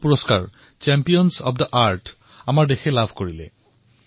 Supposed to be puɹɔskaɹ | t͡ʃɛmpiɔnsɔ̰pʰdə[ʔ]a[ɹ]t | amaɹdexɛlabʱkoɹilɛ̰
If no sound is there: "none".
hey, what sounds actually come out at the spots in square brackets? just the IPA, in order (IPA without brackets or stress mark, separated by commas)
ʔ, ɹ